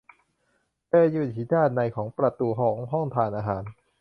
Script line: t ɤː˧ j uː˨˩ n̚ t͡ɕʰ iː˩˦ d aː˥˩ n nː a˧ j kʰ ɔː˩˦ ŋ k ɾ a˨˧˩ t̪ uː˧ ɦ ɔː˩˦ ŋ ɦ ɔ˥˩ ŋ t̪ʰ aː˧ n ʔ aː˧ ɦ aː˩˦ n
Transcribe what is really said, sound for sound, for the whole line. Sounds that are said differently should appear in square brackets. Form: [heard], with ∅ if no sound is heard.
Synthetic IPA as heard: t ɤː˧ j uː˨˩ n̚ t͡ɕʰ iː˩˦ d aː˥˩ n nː a˧ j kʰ ɔː˩˦ ŋ [p] ɾ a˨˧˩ t̪ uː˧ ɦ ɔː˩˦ ŋ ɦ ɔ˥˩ ŋ t̪ʰ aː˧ n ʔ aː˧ ɦ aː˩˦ n